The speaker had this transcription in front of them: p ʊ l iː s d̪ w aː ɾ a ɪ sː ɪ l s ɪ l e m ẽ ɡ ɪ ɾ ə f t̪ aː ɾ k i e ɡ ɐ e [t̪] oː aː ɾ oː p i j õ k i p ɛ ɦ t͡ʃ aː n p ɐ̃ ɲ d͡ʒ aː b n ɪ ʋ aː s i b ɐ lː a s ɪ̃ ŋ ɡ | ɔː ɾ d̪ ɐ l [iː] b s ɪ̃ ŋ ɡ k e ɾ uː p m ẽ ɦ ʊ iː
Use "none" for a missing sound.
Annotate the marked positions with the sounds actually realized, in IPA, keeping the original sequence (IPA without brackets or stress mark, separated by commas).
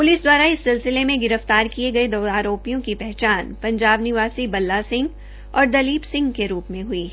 d̪, iː